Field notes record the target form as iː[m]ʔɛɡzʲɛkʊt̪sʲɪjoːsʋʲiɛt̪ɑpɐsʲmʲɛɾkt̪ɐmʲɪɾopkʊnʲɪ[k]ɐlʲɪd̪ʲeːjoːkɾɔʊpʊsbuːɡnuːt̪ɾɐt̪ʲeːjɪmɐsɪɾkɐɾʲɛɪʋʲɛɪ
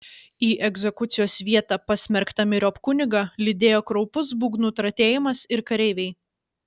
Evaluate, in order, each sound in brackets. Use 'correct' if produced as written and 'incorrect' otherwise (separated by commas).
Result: incorrect, incorrect